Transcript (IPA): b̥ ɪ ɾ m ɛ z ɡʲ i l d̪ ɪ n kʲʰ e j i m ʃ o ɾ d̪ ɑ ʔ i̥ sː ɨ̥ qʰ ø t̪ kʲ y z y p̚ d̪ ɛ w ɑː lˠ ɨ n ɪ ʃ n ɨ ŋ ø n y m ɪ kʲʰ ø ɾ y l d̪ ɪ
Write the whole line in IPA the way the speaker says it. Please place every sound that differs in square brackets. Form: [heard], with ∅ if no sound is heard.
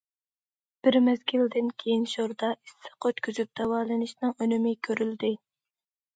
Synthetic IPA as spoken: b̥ ɪ ɾ m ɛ z ɡʲ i l d̪ ɪ n kʲʰ e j i [n] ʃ o ɾ d̪ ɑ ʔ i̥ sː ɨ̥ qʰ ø t̪ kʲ y z y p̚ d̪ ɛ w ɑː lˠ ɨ n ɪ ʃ n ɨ ŋ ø n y m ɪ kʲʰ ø ɾ y l d̪ ɪ